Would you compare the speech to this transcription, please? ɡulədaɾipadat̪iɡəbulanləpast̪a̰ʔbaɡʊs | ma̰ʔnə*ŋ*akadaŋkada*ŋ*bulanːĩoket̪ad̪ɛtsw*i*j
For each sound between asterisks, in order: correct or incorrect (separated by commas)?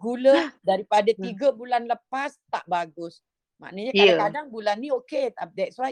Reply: incorrect, correct, incorrect